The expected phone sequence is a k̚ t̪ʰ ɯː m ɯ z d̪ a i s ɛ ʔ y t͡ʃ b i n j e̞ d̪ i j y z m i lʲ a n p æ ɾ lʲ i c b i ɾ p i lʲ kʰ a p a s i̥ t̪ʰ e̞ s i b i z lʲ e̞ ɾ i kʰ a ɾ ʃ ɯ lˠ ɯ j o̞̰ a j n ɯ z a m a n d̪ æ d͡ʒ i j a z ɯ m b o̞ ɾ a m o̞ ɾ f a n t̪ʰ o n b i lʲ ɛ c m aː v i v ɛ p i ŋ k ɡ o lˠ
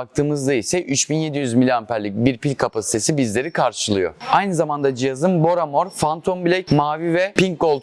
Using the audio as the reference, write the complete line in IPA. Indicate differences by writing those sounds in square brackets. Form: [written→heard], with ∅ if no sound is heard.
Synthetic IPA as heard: a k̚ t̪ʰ ɯː m ɯ z d̪ a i s ɛ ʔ y t͡ʃ b i n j e̞ d̪ i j y z m i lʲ a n p æ ɾ lʲ i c b i ɾ p i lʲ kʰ a p a s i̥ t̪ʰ e̞ s i b i z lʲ e̞ ɾ i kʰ a ɾ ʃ ɯ lˠ ɯ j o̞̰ a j n ɯ z a m a n d̪ [æ→a] d͡ʒ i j a z ɯ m b o̞ ɾ a m o̞ ɾ f a n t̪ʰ o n b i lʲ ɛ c m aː v i v ɛ p i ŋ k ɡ o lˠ